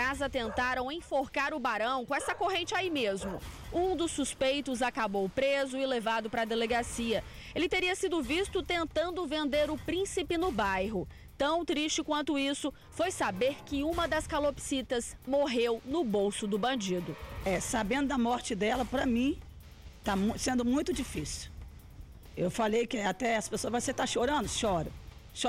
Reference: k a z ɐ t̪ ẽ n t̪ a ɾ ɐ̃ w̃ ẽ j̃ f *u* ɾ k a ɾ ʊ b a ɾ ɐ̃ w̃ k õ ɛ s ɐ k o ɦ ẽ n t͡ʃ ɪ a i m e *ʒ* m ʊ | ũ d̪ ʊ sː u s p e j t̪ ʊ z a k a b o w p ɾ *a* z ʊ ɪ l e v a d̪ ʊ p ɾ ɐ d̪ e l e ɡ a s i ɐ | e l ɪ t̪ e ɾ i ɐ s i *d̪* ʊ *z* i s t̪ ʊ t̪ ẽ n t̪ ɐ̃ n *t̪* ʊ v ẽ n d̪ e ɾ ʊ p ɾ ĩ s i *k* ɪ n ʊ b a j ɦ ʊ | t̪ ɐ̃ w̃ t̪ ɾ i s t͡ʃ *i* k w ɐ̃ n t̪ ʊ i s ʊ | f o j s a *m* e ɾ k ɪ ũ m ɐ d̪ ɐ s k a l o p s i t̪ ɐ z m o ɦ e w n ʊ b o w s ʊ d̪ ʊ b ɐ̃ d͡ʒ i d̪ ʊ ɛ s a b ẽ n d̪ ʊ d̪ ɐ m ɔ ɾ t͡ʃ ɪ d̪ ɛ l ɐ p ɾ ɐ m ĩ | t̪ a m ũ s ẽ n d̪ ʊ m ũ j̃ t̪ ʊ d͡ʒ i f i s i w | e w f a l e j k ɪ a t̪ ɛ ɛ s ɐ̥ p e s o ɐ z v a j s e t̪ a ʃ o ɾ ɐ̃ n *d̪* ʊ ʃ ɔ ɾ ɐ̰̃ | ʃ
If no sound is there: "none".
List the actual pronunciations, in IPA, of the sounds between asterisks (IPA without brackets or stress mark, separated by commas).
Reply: o, z, e, d̪, v, d̪, p, ɪ, b, d̪